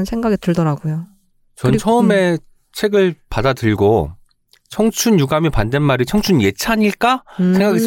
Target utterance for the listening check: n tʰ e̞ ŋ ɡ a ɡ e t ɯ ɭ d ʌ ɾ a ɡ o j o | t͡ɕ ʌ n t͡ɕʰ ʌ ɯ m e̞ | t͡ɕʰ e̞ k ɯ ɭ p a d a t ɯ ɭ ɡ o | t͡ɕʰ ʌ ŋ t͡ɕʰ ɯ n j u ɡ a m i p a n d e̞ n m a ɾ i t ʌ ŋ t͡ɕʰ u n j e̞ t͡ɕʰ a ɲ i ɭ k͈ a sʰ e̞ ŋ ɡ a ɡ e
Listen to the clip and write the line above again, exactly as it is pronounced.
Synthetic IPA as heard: n sʰ e̞ ŋ ɡ a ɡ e t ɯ ɭ d ʌ ɾ a ɡ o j o | t͡ɕ ʌ n t͡ɕʰ ʌ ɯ m e̞ | t͡ɕʰ e̞ ɡ ɯ ɭ p a d a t ɯ ɭ ɡ o | t͡ɕʰ ʌ ŋ t͡ɕʰ u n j u ɡ a m i p a n d e̞ n m a ɾ i t͡ɕʰ ʌ ŋ t͡ɕʰ u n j e̞ t͡ɕʰ a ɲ i ɭ k͈ a sʰ e̞ ŋ ɡ a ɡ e